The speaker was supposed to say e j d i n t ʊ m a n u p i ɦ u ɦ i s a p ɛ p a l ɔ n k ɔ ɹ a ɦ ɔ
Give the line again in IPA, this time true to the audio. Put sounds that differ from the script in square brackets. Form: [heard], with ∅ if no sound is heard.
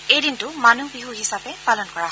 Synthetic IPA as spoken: e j d i n t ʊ m a n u [b] i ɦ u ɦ i s a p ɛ p a l ɔ n k ɔ ɹ a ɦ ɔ